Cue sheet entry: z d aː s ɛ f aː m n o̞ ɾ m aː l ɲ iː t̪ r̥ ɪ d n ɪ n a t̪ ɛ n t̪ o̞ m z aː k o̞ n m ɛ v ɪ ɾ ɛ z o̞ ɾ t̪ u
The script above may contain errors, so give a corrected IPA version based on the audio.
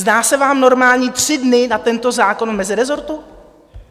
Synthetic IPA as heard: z d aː s ɛ v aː m n o̞ ɾ m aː l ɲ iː t̪ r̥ ɪ d n ɪ n a t̪ ɛ n t̪ o̞ z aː k o̞ n m ɛ z ɪ ɾ ɛ z o̞ ɾ t̪ u

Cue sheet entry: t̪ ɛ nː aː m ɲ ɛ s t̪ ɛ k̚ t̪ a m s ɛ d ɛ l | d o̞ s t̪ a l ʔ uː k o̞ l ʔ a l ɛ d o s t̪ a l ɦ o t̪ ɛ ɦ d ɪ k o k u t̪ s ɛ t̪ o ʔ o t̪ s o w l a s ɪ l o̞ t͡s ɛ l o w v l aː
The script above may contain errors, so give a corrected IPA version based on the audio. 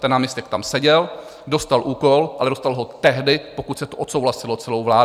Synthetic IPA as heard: t̪ ɛ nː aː m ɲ ɛ s t̪ ɛ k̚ t̪ a m s ɛ ɟ ɛ l | d o̞ s t̪ a l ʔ uː k o̞ l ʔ a l ɛ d o s t̪ a l ɦ o t̪ ɛ ɦ d ɪ p o k u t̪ s ɛ t̪ o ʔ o t̪ s o w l a s ɪ l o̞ t͡s ɛ l o w v l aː

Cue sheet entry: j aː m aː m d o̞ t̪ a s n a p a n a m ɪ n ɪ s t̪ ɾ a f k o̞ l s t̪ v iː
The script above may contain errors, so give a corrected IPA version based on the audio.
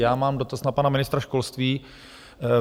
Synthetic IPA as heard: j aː m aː m d o̞ t̪ a s n a p a n a m ɪ n ɪ s t̪ ɾ a ʃ k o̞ l s t̪ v iː

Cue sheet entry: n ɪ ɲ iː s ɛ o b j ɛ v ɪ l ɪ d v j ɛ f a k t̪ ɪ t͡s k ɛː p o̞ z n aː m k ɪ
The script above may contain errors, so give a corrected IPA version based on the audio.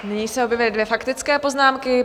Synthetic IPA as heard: n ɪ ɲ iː s ɛ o b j ɛ v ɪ l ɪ d v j ɛ f a k t̪ ɪ t͡s k ɛː p o̞ z n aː m k ɪ

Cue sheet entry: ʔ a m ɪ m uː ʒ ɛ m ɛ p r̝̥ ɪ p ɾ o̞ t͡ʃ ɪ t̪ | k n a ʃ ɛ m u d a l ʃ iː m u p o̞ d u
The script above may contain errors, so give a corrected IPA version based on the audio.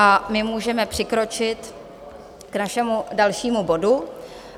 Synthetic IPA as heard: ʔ a m ɪ m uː ʒ ɛ m ɛ p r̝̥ ɪ k ɾ o̞ t͡ʃ ɪ t̪ | k n a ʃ ɛ m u d a l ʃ iː m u b o̞ d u

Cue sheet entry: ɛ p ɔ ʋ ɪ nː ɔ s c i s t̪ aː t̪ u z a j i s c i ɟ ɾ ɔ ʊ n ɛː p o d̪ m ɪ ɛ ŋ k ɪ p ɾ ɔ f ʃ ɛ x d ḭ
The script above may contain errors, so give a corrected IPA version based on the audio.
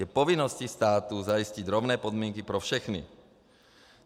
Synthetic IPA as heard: ɛ p ɔ ʋ i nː ɔ s c i s t̪ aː t̪ u z a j i s c i ɟ ɾ ɔ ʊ n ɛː p ɔ d̪ m ɪ ɛ ŋ k i p ɾ ɔ f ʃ ɛ x n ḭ

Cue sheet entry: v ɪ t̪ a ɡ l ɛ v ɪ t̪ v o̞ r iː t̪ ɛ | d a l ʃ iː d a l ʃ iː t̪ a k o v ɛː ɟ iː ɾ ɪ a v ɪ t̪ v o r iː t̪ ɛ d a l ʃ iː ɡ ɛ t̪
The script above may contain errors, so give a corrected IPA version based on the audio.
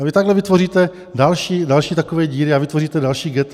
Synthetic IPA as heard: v ɪ t̪ a ɡ l ɛ v ɪ t̪ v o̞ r iː t̪ ɛ | d a l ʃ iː d a l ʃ iː t̪ a k o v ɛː ɟ iː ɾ ɪ a v ɪ t̪ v o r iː t̪ ɛ d a l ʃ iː ɡ ɛ t̪

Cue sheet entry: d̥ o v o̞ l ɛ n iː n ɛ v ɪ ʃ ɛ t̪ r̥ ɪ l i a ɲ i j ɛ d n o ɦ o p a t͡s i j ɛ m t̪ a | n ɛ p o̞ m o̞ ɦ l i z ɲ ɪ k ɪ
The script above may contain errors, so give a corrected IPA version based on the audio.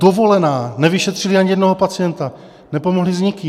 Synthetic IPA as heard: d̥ o v o̞ l ɛ n aː n ɛ v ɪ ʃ ɛ t̪ r̥ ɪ l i a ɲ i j ɛ d n o ɦ o p a t͡s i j ɛ n t̪ a | n ɛ p o̞ m o̞ ɦ l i z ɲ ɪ k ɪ

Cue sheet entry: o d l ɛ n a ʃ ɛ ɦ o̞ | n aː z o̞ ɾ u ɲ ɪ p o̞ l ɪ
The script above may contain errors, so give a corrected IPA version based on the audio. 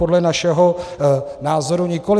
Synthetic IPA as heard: o d l ɛ n a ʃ ɛ ɦ o̞ | n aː z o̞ ɾ u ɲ ɪ k o̞ l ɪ

